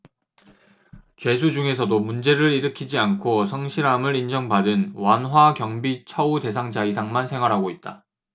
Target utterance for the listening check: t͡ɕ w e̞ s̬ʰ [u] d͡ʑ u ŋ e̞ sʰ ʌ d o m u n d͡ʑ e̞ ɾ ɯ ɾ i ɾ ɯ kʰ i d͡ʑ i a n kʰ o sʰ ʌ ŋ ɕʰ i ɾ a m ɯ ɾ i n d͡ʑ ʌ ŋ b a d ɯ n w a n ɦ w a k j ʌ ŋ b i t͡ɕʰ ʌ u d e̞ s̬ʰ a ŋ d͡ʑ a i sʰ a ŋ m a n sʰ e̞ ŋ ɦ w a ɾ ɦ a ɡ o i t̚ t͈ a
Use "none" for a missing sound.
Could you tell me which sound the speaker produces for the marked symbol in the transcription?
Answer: u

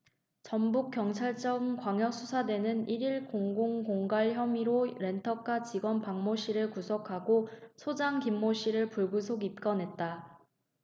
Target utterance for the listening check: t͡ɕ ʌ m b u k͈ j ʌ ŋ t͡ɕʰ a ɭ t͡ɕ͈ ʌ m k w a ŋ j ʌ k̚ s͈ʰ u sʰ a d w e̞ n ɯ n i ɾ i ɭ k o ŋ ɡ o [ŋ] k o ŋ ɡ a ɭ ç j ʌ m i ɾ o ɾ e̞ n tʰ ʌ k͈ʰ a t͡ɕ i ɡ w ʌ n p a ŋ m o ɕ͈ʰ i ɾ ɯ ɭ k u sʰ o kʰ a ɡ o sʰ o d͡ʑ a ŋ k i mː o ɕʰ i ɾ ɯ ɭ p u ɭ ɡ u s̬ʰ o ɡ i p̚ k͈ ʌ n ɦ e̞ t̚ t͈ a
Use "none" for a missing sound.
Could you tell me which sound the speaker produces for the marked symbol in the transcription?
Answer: ŋ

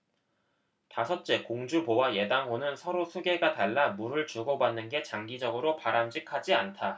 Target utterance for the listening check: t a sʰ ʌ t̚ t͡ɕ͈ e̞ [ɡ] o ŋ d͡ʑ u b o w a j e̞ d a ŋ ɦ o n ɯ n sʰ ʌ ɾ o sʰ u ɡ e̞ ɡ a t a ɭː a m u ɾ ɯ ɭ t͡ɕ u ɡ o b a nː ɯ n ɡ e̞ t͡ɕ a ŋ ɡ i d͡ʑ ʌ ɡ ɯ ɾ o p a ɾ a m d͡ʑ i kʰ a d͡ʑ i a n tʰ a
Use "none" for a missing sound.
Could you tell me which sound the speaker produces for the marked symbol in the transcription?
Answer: k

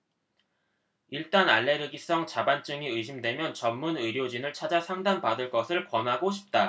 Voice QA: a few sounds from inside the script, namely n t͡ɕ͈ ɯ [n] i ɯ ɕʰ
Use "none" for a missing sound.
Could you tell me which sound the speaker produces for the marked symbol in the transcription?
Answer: ŋ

